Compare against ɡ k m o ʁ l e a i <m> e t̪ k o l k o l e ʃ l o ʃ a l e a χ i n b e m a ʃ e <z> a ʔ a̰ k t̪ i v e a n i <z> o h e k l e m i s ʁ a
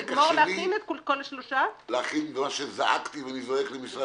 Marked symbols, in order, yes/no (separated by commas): no, yes, yes